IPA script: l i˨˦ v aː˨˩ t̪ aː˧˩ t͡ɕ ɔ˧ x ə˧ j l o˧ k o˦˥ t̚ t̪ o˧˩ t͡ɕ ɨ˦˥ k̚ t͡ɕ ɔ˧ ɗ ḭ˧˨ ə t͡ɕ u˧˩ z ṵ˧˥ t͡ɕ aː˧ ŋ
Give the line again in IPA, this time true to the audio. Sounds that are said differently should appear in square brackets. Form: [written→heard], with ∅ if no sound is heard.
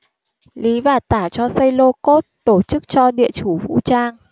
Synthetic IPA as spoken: l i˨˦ v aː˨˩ t̪ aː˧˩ t͡ɕ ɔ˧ [x→s] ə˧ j l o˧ k o˦˥ t̚ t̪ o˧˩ t͡ɕ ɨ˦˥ k̚ t͡ɕ ɔ˧ ɗ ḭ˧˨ ə t͡ɕ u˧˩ [z→v] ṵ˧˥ t͡ɕ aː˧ ŋ